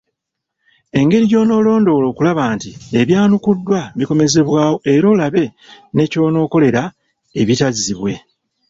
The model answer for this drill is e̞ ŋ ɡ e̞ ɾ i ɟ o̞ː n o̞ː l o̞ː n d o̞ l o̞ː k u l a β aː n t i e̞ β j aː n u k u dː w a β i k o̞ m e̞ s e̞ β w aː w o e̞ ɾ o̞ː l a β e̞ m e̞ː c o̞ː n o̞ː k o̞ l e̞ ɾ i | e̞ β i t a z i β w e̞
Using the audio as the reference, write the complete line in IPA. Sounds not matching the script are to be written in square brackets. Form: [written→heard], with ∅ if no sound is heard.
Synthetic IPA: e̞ ŋ ɡ e̞ ɾ i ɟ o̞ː n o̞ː l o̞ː n d o̞ l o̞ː k u l a β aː n t i e̞ β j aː n u k u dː w a β i k o̞ m e̞ [s→z] e̞ β w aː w o e̞ ɾ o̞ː l a β e̞ [m→n] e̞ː c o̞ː n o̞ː k o̞ l e̞ ɾ [i→a] | e̞ β i t a z i β w e̞